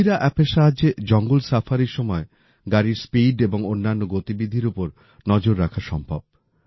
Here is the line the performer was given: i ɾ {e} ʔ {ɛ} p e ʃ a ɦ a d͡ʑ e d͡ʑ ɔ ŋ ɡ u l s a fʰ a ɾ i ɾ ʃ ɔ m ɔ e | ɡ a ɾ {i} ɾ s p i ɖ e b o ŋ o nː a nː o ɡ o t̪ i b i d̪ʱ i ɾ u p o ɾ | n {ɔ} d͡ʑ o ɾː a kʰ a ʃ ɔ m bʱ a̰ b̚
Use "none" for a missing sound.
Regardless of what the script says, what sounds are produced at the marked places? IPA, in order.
a, ɛ, i, ɔ

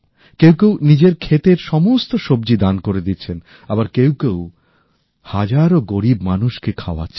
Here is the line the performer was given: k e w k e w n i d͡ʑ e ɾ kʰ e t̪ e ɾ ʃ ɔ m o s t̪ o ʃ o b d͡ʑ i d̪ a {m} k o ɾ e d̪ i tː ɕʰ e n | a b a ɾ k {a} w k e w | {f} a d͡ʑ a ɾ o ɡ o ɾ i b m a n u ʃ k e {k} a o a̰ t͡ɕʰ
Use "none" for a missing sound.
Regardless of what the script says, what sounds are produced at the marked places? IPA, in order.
n, e, h, kʰ

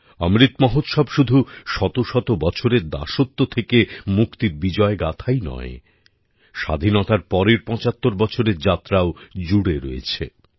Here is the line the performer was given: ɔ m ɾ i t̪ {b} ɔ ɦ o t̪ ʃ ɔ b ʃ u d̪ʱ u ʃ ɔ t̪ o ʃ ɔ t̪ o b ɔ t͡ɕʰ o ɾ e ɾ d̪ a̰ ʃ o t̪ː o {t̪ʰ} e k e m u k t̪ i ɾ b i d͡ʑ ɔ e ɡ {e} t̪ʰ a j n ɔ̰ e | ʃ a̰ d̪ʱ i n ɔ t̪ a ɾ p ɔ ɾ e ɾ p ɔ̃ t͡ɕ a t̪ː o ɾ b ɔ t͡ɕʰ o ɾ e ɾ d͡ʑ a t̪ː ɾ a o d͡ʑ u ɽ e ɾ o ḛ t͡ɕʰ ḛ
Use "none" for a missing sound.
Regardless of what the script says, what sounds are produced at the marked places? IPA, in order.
m, t̪ʰ, a

